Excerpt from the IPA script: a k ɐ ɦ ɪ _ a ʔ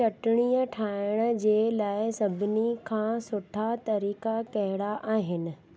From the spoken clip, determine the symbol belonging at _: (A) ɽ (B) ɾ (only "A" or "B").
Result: A